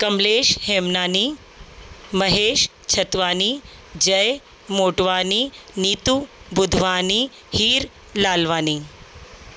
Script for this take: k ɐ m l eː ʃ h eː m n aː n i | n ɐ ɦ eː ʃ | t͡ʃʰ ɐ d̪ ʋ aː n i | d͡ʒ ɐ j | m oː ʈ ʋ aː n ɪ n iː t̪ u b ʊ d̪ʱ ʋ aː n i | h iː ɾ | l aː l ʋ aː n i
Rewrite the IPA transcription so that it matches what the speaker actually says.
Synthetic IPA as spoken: k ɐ m l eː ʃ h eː m n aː n i | m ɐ ɦ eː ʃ | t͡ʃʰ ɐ t̪ ʋ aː n i | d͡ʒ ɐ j | m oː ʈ ʋ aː n i n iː t̪ u b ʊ d̪ʱ ʋ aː n i | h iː ɾ | l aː l ʋ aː n i